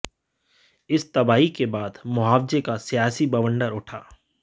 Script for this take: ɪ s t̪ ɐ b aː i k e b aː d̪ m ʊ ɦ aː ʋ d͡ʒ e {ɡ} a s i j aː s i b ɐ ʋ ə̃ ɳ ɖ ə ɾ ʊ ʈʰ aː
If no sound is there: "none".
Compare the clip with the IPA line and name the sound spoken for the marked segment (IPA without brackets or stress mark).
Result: k